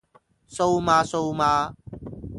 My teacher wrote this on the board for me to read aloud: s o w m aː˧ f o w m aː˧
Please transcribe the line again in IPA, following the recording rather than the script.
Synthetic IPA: s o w m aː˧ s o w m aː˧

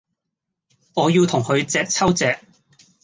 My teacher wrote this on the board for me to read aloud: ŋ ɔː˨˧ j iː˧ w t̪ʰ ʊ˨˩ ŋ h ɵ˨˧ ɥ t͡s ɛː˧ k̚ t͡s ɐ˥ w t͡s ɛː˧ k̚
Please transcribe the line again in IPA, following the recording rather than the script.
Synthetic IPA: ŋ ɔː˨˧ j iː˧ w t̪ʰ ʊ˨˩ ŋ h ɵ˨˧ ɥ t͡s ɛː˧ k̚ t͡sʰ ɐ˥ w t͡s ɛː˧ k̚

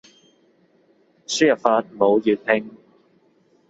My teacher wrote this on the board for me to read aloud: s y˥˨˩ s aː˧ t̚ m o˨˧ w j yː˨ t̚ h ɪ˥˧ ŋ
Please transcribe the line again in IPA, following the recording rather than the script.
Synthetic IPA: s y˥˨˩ f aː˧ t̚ m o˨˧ w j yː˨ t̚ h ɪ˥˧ ŋ

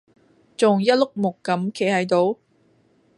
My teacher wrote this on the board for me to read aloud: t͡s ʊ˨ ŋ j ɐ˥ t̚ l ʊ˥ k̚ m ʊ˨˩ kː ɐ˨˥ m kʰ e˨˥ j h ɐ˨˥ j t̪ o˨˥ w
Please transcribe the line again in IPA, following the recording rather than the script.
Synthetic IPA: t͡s ʊ˨ ŋ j ɐ˥ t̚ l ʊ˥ k̚ m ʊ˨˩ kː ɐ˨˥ m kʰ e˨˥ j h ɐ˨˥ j t̪ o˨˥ w

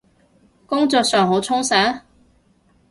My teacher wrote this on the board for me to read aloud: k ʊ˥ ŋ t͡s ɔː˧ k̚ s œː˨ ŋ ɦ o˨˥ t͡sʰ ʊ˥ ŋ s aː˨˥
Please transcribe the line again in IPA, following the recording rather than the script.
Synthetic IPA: k ʊ˥ ŋ t͡s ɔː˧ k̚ s œː˨ ŋ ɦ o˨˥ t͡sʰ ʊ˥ ŋ s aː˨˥

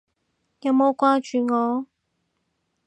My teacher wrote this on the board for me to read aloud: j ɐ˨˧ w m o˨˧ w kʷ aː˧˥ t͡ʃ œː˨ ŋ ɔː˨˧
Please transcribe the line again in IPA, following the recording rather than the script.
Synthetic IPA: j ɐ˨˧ w m o˨˧ w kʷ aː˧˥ t͡ʃ yː˨ ŋ ɔː˨˧

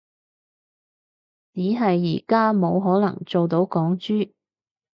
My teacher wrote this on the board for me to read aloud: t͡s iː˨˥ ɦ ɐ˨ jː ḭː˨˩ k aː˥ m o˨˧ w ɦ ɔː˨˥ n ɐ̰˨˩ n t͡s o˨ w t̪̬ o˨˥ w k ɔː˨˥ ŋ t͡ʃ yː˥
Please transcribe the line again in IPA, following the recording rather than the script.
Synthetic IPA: t͡s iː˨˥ ɦ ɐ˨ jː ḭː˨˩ k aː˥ m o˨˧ w ɦ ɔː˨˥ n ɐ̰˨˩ ŋ t͡s o˨ w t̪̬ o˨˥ w k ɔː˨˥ ŋ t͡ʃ yː˥

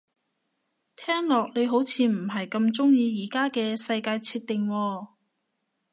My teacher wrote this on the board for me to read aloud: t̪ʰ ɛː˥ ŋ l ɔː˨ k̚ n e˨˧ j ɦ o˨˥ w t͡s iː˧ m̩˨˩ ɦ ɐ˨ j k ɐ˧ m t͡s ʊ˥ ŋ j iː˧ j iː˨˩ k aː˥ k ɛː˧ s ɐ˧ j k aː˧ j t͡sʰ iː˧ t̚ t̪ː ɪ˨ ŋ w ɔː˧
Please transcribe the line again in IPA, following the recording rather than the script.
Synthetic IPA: t̪ʰ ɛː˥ ŋ l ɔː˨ k̚ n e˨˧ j ɦ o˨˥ w t͡sʰ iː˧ m̩˨˩ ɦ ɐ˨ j k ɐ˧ m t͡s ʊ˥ ŋ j iː˧ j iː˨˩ k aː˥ k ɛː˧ s ɐ˧ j k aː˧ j t͡sʰ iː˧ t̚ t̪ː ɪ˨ ŋ w ɔː˧

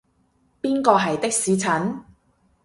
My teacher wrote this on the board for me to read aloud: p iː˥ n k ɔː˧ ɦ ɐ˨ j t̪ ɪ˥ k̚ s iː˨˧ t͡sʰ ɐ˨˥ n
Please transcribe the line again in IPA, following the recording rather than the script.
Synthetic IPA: p iː˥ n k ɔː˧ ɦ ɐ˨ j t̪ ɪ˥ k̚ s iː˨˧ t͡sʰ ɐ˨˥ n

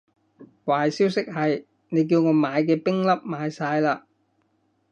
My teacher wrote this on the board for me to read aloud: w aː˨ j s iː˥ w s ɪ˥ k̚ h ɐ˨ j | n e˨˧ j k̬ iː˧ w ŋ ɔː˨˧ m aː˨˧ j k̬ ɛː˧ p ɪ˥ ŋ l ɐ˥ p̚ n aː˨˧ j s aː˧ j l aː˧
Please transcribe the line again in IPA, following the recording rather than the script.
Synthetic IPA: w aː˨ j s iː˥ w s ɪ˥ k̚ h ɐ˨ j | n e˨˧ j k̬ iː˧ w ŋ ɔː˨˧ m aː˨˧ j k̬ ɛː˧ p ɪ˥ ŋ l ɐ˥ p̚ m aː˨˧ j s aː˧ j l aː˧

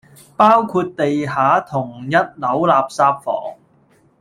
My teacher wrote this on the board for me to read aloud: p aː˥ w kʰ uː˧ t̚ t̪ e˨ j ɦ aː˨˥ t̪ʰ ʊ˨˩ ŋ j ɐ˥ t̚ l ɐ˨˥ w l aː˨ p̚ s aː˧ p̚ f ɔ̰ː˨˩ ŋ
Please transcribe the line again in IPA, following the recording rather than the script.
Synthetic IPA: p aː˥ w kʰ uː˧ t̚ t̪ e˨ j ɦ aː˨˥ t̪ʰ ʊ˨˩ ŋ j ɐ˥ t̚ l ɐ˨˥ w l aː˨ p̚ s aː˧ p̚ f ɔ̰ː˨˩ ŋ

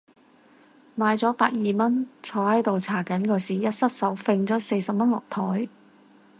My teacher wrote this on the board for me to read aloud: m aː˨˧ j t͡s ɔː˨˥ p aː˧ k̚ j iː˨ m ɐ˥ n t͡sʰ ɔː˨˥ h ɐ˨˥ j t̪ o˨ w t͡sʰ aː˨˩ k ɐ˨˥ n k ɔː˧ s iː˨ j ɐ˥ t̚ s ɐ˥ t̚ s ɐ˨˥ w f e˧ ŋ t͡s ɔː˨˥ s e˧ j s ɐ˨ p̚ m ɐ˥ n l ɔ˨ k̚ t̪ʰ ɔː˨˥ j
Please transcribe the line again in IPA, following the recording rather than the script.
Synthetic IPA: m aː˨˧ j t͡s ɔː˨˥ p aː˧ k̚ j iː˨ m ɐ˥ n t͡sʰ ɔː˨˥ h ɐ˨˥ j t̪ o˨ w t͡sʰ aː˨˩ k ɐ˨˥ n k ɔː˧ s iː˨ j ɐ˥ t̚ s ɐ˥ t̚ s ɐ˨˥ w f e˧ ŋ t͡s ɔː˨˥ s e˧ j s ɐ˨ p̚ m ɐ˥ n l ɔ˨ k̚ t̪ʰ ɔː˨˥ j

